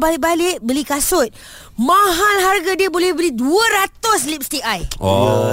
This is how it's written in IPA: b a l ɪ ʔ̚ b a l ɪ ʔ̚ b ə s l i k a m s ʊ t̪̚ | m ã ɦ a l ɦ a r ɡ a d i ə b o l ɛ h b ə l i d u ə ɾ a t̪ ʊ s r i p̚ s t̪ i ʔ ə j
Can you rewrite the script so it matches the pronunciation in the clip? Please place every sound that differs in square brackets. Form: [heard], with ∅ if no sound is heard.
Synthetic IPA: b a l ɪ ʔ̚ b a l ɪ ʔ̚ b ə [∅] l i k a [∅] s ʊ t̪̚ | m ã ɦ a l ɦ a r ɡ a d i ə b o l ɛ h b ə l i d u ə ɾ a t̪ ʊ s [l] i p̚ s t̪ i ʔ [a] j